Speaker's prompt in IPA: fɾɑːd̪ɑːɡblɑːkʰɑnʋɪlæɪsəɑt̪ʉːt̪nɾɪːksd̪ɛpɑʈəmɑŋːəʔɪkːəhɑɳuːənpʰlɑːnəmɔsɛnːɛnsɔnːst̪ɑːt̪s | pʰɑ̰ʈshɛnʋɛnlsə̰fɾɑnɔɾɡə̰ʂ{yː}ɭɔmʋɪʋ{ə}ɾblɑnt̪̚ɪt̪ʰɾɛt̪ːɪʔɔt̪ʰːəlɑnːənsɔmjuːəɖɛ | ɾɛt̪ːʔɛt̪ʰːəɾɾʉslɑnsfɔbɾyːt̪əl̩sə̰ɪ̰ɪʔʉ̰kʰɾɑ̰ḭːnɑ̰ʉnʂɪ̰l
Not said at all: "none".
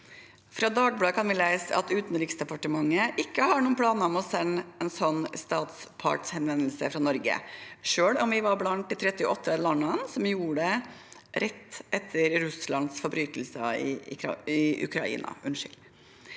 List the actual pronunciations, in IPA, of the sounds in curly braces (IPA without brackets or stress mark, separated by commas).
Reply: øː, ɑ